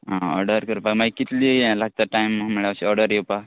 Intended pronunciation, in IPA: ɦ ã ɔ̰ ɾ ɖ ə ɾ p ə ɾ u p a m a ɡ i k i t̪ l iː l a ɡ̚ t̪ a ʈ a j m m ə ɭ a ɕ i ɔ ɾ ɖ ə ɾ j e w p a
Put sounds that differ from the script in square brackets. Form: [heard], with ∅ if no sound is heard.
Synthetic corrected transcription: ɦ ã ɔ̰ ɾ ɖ ə ɾ [k] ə ɾ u p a m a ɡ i k i t̪ l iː l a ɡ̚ t̪ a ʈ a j m m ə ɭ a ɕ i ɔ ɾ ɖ ə ɾ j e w p a